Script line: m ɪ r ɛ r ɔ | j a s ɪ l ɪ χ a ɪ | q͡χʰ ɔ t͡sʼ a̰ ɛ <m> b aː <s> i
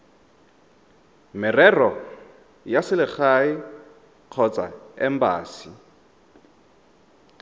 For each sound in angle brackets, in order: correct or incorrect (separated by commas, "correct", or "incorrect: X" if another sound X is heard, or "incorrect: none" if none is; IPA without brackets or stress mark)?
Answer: correct, correct